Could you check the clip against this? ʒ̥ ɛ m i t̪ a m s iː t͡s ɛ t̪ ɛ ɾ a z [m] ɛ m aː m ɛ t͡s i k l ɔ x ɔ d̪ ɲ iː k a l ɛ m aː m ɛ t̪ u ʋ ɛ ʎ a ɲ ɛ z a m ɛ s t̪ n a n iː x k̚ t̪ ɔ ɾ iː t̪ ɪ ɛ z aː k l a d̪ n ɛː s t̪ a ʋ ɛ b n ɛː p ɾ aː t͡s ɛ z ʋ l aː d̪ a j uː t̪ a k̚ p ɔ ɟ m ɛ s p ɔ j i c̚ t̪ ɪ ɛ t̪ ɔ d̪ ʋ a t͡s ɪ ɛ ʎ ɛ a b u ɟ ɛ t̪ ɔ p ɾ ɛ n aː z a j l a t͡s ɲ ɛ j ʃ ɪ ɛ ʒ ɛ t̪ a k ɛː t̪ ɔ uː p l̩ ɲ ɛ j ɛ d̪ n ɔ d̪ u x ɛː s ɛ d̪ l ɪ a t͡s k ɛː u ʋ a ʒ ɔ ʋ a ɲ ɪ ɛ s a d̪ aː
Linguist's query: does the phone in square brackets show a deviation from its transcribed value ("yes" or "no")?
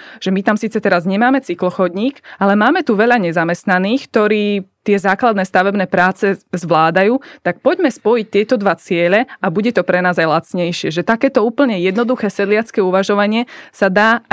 yes